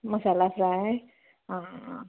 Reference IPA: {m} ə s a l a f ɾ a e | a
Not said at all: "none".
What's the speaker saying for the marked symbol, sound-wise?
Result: m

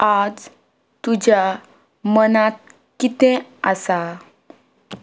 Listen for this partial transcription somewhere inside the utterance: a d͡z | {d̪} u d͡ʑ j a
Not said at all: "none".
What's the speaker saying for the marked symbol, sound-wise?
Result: t̪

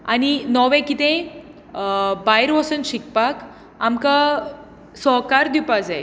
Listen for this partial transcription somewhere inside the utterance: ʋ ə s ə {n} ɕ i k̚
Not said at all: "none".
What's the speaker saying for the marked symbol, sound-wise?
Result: n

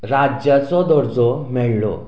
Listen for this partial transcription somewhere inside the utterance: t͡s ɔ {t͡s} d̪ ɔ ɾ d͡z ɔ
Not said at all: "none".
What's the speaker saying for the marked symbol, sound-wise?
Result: none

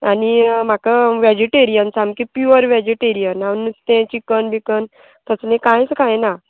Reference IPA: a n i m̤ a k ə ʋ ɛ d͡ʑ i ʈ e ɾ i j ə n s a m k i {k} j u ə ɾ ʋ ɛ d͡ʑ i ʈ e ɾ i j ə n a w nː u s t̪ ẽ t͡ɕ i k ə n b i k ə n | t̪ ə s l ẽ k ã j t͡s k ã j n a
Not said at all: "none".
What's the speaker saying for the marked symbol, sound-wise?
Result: p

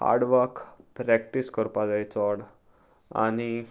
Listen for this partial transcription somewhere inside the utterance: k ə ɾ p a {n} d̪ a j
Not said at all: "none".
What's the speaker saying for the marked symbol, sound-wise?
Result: none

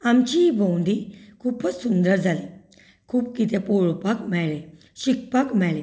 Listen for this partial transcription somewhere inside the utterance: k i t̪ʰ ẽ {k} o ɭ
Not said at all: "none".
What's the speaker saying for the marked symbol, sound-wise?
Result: p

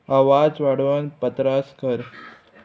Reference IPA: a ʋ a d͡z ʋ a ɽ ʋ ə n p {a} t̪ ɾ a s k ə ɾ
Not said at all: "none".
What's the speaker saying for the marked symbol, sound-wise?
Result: ə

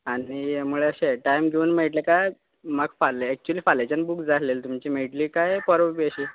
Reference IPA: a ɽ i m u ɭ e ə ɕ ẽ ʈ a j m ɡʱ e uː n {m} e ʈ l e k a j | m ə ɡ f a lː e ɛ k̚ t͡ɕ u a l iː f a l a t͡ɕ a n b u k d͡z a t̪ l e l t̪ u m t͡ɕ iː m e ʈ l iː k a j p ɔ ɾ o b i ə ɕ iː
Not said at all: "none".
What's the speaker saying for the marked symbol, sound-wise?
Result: m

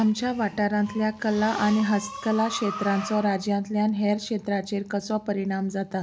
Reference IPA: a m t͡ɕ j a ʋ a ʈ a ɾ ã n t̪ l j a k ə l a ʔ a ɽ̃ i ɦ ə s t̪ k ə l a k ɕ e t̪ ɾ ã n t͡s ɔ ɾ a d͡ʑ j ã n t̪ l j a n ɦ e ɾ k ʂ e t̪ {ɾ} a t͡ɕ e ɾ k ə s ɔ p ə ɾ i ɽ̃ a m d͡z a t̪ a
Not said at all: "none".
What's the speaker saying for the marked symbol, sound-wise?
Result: ɾ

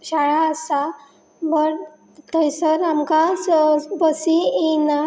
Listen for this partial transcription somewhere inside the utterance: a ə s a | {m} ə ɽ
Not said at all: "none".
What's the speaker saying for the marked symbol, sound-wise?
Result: b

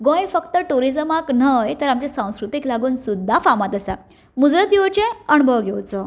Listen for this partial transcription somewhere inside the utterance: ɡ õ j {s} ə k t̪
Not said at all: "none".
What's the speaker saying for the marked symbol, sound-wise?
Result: f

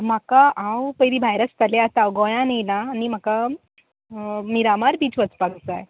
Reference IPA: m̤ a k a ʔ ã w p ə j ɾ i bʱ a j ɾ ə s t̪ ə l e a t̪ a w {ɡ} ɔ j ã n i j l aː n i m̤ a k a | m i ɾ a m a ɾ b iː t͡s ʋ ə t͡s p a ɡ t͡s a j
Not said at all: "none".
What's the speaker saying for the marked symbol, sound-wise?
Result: ɡ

